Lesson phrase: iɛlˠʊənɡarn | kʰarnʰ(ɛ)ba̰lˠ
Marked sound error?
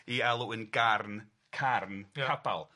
yes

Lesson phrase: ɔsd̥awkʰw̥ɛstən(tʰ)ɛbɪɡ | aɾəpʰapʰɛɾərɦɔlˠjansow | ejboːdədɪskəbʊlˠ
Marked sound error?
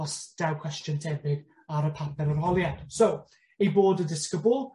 no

